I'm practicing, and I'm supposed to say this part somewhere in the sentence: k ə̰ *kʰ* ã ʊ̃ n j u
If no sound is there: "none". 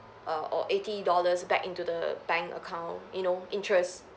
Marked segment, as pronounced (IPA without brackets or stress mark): kʰ